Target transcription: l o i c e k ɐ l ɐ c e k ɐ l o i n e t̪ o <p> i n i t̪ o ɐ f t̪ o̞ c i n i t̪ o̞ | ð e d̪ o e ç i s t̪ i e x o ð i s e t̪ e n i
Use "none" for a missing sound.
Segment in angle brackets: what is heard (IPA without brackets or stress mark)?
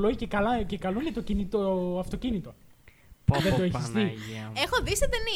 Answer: c